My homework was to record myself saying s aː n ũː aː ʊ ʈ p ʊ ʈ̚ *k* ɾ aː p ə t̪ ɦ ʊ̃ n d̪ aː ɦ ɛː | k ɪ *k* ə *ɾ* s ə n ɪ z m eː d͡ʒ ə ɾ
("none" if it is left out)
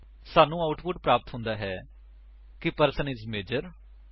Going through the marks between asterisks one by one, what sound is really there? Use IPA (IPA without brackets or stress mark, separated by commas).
p, p, ɾ